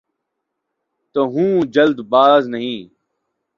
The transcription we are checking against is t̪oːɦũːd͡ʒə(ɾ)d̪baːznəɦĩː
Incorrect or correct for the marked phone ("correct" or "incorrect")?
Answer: incorrect